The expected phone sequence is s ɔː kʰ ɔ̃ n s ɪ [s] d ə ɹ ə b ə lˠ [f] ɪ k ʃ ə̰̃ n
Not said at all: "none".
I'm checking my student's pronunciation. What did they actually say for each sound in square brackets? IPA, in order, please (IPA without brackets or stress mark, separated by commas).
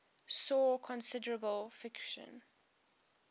none, f